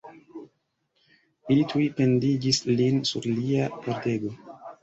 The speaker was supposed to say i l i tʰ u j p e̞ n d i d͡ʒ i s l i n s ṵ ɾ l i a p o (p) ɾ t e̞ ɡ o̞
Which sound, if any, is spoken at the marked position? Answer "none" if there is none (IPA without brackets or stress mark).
none